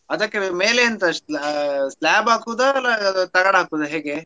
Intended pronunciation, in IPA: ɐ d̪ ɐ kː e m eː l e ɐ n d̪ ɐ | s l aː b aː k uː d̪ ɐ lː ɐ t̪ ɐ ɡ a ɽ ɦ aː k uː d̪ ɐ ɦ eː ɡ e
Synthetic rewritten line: ɐ d̪ ɐ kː e m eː l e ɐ n t̪ ɐ | s l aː b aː k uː d̪ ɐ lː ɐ t̪ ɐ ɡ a ɽ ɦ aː k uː d̪ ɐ ɦ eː ɡ e